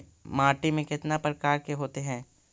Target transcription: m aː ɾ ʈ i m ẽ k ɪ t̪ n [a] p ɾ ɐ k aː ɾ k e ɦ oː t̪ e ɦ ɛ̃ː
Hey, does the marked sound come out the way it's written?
yes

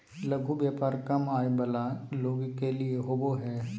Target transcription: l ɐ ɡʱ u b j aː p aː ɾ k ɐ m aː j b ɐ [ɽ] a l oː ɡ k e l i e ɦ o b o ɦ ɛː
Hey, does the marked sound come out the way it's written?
no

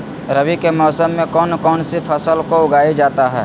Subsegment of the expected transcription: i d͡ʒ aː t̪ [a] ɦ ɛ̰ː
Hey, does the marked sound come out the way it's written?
yes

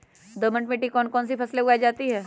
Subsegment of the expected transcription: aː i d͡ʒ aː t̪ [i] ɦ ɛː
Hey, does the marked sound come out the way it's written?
yes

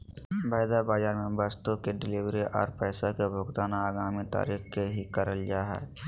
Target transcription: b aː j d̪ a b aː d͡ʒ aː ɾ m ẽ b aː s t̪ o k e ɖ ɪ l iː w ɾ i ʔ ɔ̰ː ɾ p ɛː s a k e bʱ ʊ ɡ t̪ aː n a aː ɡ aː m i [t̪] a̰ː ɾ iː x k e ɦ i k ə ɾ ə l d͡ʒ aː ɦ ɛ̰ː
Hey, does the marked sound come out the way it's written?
yes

